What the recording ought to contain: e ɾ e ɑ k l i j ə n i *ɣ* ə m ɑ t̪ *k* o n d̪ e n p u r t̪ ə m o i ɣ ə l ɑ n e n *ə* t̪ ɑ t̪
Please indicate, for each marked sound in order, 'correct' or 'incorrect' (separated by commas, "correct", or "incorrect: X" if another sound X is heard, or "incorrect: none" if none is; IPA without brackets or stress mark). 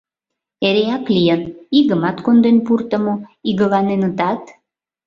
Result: correct, correct, correct